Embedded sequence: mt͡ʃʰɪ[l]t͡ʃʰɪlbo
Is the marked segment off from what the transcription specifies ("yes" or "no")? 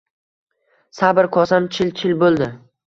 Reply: no